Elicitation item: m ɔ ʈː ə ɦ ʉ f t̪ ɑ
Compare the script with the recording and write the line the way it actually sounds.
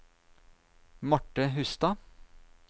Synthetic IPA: m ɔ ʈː ə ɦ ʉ s t̪ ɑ